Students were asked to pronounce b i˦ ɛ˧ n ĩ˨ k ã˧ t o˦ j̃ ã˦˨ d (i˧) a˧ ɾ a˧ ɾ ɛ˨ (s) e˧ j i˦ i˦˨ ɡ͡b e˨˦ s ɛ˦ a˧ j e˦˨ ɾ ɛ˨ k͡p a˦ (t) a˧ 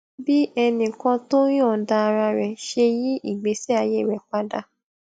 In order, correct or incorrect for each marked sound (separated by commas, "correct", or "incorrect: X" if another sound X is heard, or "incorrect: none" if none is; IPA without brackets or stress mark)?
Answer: incorrect: a˧, incorrect: ʃ, incorrect: d